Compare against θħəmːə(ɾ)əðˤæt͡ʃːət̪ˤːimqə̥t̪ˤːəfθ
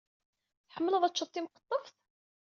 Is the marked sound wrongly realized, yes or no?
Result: yes